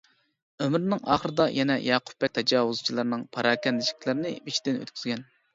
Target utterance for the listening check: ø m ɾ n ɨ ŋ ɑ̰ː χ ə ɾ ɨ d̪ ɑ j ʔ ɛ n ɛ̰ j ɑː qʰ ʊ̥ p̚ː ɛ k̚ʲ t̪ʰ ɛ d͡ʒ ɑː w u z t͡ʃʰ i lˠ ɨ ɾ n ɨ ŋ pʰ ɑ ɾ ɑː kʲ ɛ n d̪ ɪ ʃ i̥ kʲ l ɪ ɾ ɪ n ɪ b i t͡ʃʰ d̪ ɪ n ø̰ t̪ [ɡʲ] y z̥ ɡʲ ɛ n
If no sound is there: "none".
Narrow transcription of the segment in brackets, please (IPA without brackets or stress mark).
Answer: kʲ